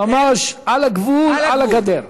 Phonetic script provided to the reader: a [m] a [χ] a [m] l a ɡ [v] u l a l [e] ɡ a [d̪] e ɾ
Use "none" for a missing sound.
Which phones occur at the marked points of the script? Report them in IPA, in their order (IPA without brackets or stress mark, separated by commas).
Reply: m, ʃ, none, v, a, d̪